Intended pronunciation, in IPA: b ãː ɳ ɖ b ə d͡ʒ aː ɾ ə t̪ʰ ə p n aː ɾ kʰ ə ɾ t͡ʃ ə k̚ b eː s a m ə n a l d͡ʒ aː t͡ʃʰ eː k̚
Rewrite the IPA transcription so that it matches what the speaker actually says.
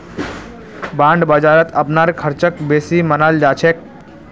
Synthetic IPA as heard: b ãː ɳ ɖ b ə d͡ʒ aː ɾ ə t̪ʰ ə p n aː ɾ kʰ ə ɾ t͡ʃ ə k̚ b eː s i m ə n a l d͡ʒ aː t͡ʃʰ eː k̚